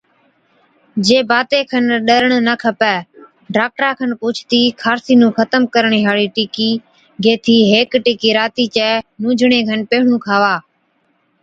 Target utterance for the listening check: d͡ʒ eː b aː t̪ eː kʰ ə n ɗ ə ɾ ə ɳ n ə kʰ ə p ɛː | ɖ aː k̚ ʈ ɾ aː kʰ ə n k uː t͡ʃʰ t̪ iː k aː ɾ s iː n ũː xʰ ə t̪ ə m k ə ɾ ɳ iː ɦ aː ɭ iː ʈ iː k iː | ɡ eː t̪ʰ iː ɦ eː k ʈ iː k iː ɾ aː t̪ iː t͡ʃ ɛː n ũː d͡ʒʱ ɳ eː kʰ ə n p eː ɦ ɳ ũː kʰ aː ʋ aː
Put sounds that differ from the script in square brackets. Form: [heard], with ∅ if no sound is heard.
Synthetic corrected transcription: d͡ʒ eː b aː t̪ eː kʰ ə n ɗ ə ɾ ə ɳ n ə kʰ ə p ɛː | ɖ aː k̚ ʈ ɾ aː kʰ ə n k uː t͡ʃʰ t̪ iː [kʰ] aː ɾ s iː n ũː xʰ ə t̪ ə m k ə ɾ ɳ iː ɦ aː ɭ iː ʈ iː k iː | ɡ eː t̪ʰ iː ɦ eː k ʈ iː k iː ɾ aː t̪ iː t͡ʃ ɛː n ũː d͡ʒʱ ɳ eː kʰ ə n p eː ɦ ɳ ũː kʰ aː ʋ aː